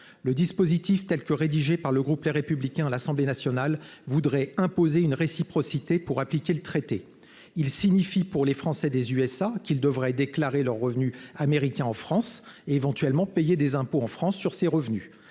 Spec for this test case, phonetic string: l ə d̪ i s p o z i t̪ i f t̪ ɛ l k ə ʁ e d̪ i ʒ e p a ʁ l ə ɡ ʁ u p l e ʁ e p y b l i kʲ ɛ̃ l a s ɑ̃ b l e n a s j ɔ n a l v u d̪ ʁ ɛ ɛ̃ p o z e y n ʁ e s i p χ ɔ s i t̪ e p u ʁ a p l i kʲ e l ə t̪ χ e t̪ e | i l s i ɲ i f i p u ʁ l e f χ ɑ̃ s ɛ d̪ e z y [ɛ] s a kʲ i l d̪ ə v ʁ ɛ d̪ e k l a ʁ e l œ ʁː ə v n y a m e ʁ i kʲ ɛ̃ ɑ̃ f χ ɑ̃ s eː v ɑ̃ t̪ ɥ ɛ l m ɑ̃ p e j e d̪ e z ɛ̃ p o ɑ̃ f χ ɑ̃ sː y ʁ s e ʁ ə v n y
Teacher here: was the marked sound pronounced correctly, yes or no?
yes